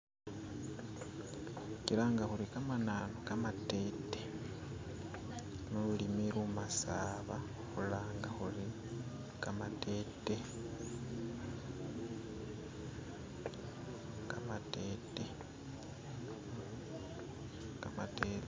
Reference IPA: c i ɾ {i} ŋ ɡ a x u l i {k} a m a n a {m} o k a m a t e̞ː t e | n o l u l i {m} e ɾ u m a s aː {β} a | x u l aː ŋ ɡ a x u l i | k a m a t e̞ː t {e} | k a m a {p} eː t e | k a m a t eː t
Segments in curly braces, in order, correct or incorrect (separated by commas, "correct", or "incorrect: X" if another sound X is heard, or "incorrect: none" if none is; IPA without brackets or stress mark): incorrect: a, correct, incorrect: n, correct, correct, correct, incorrect: t